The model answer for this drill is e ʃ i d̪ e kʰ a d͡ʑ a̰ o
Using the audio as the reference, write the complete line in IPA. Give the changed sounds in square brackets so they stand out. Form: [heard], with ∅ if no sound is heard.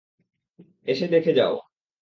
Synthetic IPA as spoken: e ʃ [e] d̪ e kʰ [e] d͡ʑ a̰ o